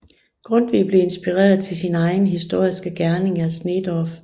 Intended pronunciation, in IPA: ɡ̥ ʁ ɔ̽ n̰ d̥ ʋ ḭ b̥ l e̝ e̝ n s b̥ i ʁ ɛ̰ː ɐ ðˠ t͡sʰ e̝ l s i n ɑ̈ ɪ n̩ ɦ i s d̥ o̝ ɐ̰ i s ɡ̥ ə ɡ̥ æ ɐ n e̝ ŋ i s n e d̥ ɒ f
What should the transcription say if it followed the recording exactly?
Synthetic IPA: ɡ̥ ʁ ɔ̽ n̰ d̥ ʋ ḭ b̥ l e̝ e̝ n s b̥ i ʁ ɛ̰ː ɐ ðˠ t͡sʰ e̝ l s i n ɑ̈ ɪ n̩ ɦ i s d̥ o̝ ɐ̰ i s ɡ̥ ə ɡ̥ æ ɐ n e̝ ŋ æ s n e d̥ ɒ f